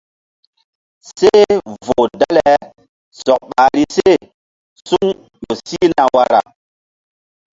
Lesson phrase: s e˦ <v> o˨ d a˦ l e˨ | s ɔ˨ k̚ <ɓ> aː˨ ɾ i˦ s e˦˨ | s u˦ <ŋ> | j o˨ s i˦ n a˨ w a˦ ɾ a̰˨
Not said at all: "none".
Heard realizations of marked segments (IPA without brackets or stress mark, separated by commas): v, ɓ, ŋ